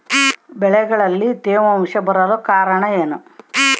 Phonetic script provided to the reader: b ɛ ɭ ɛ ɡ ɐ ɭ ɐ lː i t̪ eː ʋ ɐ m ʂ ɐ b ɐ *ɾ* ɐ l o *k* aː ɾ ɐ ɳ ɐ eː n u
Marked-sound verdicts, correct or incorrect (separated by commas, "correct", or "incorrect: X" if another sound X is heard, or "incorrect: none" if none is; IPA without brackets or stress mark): correct, correct